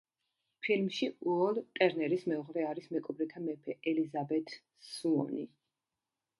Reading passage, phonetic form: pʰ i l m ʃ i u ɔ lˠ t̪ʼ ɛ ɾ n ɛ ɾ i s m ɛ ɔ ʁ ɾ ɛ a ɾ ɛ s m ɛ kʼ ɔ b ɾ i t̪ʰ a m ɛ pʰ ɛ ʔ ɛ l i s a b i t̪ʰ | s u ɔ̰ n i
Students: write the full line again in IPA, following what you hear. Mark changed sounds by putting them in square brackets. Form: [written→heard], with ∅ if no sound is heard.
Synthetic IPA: pʰ i l m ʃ i u ɔ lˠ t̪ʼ ɛ ɾ n ɛ ɾ i s m ɛ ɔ ʁ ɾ ɛ a ɾ [ɛ→i] s m ɛ kʼ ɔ b ɾ i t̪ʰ a m ɛ pʰ ɛ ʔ ɛ l i [s→z] a b [i→ɛ] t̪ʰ | s u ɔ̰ n i

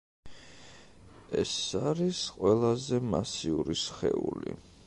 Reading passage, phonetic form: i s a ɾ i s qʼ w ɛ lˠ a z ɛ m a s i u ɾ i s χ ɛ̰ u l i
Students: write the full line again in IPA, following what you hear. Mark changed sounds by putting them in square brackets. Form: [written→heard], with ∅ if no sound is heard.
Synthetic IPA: [i→ɛ] s a ɾ i s qʼ w ɛ lˠ a z ɛ m a s i u ɾ i s χ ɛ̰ u l i

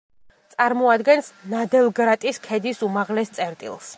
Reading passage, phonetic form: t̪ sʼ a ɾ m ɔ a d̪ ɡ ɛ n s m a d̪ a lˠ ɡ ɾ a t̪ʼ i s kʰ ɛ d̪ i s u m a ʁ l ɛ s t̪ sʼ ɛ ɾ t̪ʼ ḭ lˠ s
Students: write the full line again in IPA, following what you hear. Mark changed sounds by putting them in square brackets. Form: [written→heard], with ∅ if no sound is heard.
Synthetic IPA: t̪ sʼ a ɾ m ɔ a d̪ ɡ ɛ n s [m→n] a d̪ [a→ɛ] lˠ ɡ ɾ a t̪ʼ i s kʰ ɛ d̪ i s u m a ʁ l ɛ s t̪ sʼ ɛ ɾ t̪ʼ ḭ lˠ s

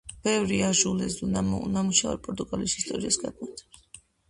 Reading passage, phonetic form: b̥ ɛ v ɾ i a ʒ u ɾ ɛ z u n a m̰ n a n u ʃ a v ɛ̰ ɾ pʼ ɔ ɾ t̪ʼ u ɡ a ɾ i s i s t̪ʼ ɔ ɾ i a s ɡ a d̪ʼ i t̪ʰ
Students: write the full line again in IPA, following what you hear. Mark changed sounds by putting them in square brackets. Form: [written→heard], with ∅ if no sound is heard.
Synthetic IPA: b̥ ɛ v ɾ i a ʒ u [ɾ→l] ɛ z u n a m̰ n a [n→m] u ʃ a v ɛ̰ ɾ pʼ ɔ ɾ t̪ʼ u ɡ a [ɾ→l] i s i s t̪ʼ ɔ ɾ i a s ɡ a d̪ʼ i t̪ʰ

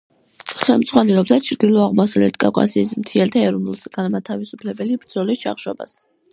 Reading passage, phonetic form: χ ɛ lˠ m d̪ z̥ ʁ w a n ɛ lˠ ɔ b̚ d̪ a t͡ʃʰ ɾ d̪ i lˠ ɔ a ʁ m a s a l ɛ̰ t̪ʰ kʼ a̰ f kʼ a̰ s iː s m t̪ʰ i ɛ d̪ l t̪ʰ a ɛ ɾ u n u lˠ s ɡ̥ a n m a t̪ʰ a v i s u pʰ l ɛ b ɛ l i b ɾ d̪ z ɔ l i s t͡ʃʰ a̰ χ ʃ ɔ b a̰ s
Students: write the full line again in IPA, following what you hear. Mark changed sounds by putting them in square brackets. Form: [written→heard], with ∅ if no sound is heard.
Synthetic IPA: χ ɛ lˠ m d̪ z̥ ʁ w a n ɛ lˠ ɔ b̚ d̪ a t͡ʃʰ ɾ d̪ i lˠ ɔ a ʁ m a s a l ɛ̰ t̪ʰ kʼ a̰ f kʼ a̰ s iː s m t̪ʰ i ɛ [d̪→∅] l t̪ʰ a ɛ ɾ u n u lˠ s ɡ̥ a n m a t̪ʰ a v i s u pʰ l ɛ b ɛ l i b ɾ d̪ z ɔ l i s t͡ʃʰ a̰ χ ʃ ɔ b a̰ s

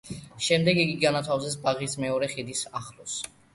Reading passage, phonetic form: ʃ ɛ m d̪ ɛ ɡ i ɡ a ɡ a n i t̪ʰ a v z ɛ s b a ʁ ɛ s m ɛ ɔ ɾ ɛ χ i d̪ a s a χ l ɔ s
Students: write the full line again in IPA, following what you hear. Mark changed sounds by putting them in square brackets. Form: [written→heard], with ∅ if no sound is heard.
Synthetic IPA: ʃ ɛ m d̪ ɛ ɡ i ɡ [a→i] ɡ a n [i→a] t̪ʰ a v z ɛ s b a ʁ [ɛ→i] s m ɛ ɔ ɾ ɛ χ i d̪ [a→i] s a χ l ɔ s

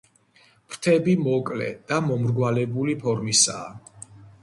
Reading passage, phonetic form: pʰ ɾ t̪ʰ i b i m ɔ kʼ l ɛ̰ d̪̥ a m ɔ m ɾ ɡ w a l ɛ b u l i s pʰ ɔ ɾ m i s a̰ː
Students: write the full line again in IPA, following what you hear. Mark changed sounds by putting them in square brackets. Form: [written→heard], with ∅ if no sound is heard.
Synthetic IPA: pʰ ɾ t̪ʰ [i→ɛ] b i m ɔ kʼ l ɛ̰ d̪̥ a m ɔ m ɾ ɡ w a l ɛ b u l i [s→∅] pʰ ɔ ɾ m i s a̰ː

